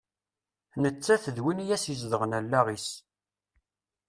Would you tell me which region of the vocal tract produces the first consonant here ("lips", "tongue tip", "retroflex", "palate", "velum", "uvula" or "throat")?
tongue tip